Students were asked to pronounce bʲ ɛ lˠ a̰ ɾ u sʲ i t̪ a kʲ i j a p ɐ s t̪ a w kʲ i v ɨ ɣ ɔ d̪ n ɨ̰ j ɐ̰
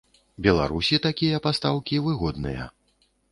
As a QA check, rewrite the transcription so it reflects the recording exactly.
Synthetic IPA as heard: bʲ ɛ lˠ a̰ ɾ u sʲ i t̪ a kʲ i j ɐ p a s t̪ a w kʲ i v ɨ ɣ ɔ d̪ n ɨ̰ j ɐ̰